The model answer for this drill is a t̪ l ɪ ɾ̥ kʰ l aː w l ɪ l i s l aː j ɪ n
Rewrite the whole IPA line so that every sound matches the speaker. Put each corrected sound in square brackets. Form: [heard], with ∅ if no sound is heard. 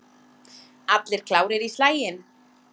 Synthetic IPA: a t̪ l ɪ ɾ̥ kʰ l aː w [ɾ] ɪ [ɾ] i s l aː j ɪ n